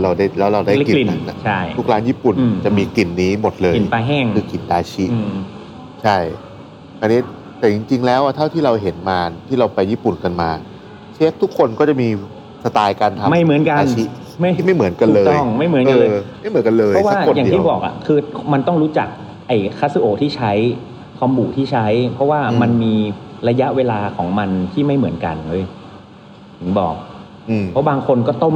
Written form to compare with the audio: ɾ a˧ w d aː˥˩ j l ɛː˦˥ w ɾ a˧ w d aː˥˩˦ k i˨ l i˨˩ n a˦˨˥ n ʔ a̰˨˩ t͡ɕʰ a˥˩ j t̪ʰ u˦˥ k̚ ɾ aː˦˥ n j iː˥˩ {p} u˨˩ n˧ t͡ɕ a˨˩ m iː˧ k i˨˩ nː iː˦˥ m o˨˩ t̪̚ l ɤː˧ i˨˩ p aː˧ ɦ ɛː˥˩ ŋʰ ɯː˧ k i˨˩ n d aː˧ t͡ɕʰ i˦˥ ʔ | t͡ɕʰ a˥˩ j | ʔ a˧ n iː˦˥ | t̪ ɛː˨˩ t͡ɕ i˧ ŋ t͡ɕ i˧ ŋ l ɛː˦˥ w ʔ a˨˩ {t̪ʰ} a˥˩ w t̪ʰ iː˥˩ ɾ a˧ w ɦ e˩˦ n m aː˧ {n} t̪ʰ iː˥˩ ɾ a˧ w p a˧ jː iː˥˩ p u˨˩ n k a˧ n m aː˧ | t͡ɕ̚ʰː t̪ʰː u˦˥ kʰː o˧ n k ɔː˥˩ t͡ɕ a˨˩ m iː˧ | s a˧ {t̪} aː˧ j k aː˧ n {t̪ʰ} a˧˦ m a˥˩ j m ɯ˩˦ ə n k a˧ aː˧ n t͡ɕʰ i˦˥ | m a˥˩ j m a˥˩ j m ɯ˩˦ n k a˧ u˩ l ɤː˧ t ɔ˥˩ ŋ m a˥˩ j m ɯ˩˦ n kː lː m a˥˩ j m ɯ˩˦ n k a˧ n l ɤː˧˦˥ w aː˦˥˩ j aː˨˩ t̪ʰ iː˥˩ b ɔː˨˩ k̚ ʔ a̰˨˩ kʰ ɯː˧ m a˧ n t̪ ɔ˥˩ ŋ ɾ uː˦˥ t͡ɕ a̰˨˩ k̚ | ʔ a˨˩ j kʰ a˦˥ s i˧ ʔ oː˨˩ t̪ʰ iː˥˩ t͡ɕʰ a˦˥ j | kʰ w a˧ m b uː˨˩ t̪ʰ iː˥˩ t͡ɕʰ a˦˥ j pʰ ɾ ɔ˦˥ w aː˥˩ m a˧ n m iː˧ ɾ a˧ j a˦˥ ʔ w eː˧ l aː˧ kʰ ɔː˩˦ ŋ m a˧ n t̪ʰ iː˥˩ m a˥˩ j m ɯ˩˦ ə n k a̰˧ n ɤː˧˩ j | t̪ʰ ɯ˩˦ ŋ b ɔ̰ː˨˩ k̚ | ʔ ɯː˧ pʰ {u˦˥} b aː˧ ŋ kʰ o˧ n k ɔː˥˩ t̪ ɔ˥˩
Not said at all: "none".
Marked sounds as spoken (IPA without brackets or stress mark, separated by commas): p, t̪ʰ, n, t̪, t̪ʰ, ɔ˦˥